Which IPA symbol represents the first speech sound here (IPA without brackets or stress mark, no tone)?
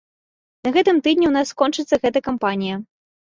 n